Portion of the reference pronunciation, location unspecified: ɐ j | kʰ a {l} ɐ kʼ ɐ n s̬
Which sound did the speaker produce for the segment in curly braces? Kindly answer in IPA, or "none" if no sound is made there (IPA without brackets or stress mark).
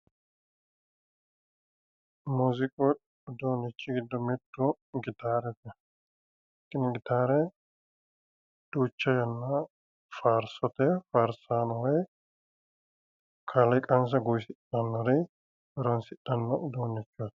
l